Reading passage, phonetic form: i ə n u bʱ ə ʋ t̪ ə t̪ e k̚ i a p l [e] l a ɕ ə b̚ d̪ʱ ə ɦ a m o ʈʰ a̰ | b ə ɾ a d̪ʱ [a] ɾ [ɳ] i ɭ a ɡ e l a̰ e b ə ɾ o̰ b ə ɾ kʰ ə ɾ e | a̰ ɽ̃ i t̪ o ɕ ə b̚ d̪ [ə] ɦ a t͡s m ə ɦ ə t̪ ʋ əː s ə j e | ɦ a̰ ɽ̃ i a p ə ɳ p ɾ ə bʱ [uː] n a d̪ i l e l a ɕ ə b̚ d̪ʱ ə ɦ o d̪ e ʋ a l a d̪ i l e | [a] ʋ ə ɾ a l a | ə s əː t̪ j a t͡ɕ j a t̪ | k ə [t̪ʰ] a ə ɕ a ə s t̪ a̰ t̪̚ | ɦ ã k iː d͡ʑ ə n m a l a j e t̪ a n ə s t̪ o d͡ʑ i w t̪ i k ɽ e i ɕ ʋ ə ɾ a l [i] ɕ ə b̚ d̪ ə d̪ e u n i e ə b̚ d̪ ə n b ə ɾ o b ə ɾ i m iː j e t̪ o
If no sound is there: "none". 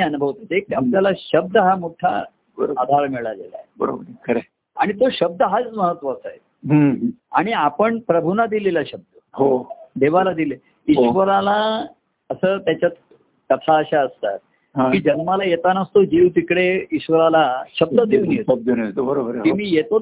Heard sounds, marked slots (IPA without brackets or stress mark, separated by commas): a, a, m, ə, u, i, t̪ʰ, a